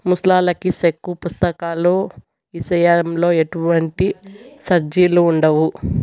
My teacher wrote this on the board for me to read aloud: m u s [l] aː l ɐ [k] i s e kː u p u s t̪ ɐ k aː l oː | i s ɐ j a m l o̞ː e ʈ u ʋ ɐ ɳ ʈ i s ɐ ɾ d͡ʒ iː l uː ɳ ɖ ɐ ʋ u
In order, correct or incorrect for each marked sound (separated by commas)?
correct, correct